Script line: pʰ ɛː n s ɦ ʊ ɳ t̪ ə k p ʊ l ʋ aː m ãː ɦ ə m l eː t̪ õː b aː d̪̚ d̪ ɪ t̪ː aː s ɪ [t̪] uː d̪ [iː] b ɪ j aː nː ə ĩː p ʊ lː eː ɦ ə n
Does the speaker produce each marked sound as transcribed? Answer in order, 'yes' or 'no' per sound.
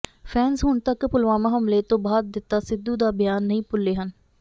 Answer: no, no

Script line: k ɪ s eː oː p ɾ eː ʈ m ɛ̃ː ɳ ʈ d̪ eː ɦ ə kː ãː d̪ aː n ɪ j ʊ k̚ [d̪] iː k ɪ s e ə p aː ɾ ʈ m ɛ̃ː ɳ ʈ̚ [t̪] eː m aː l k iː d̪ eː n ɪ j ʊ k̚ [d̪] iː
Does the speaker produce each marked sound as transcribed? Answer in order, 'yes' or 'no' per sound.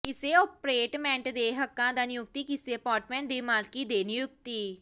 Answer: no, no, no

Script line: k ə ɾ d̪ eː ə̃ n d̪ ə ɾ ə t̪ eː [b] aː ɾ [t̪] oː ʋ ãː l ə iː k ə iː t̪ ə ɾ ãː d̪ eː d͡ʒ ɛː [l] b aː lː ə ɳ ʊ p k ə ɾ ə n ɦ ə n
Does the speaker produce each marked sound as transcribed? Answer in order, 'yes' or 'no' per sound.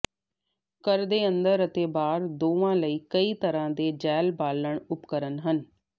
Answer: yes, no, yes

